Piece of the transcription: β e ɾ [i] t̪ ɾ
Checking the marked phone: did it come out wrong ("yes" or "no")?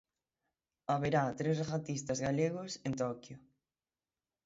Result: yes